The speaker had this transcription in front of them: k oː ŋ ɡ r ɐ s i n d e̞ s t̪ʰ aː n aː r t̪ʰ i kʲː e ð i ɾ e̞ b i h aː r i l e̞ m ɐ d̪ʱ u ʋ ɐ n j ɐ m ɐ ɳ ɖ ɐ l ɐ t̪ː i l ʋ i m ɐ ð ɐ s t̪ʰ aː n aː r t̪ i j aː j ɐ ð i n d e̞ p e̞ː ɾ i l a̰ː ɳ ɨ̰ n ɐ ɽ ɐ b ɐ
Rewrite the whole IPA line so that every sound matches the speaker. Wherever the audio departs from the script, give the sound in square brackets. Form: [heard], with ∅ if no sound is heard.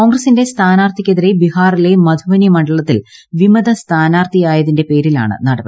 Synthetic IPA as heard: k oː ŋ ɡ r ɐ s i n d e̞ s t̪ʰ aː n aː r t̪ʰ i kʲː e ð i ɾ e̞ b i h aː r i l e̞ m ɐ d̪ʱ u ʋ ɐ n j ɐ m ɐ ɳ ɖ ɐ [ɭ] ɐ t̪ː i l ʋ i m ɐ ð ɐ s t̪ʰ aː n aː r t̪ i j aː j ɐ ð i n d e̞ p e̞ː ɾ i l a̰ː ɳ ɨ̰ n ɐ ɽ ɐ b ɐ